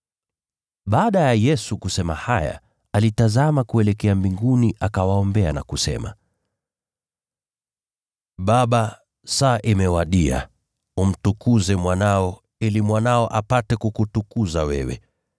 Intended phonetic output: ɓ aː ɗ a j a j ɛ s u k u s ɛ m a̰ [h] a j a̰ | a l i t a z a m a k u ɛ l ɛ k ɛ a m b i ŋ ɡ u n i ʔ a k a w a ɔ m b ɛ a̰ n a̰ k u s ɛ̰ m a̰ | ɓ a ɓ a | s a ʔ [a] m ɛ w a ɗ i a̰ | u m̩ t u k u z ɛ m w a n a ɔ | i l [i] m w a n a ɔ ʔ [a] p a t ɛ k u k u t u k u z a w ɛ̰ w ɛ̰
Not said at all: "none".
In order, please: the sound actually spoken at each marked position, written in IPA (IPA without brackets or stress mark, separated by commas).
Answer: h, i, i, a